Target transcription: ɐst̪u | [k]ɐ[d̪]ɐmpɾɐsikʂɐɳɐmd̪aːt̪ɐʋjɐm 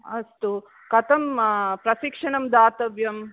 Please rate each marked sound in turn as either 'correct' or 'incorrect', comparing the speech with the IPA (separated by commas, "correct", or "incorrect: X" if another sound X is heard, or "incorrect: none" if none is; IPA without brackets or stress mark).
correct, incorrect: t̪